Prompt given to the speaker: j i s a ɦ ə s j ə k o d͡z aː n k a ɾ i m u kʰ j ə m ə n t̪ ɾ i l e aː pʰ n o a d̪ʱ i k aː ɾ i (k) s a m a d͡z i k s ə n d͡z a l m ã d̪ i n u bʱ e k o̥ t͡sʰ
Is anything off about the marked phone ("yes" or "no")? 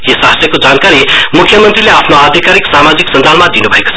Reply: no